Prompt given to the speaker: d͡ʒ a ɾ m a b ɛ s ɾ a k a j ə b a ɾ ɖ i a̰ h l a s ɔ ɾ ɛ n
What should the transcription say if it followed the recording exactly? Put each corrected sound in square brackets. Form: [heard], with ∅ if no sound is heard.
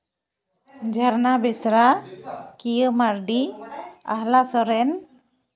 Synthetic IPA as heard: d͡ʒ a ɾ [n] a b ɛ s ɾ a k [i] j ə [m] a ɾ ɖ i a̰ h l a s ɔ ɾ ɛ n